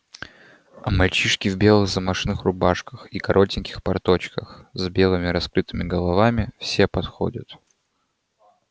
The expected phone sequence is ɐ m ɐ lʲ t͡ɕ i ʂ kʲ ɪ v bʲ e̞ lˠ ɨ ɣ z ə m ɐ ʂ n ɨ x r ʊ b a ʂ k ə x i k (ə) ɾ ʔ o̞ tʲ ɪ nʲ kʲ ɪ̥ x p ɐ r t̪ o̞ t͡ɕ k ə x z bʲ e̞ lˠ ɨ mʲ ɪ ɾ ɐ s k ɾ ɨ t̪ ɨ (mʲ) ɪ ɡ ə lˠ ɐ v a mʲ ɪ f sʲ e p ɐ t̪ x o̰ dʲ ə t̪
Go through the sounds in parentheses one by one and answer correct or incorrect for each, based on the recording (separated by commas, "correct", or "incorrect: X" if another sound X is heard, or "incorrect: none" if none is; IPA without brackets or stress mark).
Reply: incorrect: ɐ, correct